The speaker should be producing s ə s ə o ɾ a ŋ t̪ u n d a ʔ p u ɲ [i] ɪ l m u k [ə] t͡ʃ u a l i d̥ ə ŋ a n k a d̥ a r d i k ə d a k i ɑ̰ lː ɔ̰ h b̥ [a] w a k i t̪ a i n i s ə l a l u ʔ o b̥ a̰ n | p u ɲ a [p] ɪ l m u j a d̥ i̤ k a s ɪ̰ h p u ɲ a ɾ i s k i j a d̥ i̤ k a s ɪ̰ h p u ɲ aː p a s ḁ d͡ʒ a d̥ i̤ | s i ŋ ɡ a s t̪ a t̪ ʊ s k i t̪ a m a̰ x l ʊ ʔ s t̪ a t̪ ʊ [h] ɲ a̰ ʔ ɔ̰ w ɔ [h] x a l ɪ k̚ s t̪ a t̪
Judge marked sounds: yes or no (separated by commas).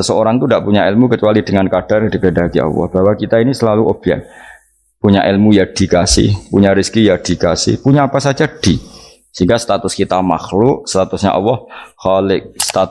no, yes, yes, no, no, yes